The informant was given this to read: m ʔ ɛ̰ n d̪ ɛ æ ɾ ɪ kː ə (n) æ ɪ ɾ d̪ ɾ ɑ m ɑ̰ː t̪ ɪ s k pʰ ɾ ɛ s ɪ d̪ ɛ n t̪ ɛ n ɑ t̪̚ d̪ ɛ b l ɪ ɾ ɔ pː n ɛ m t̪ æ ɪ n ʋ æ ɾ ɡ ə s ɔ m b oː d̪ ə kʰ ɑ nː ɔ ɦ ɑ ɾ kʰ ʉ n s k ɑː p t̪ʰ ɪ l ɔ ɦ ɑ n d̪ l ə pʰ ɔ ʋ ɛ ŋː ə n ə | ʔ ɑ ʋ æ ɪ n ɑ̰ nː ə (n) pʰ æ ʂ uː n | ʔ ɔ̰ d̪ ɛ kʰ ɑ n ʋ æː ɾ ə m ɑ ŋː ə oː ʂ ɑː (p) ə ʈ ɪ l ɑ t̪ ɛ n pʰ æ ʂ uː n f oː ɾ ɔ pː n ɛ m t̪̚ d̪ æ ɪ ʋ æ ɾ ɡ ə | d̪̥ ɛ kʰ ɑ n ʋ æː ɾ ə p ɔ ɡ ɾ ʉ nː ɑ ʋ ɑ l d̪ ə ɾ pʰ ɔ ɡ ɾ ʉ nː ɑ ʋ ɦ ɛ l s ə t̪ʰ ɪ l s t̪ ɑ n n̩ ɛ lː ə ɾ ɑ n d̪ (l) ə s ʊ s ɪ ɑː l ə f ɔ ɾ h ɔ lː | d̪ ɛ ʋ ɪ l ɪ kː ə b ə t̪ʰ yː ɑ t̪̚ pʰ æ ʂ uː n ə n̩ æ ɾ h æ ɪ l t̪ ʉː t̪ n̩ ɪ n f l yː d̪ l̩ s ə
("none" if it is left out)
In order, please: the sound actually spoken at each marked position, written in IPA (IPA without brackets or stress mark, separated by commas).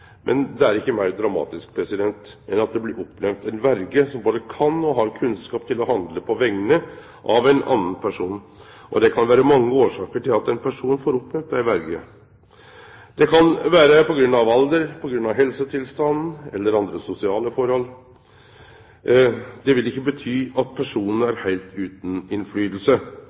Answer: m, n, k, ɾ